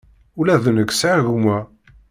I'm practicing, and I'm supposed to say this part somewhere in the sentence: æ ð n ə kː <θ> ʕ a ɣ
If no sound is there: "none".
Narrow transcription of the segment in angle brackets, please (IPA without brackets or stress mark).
s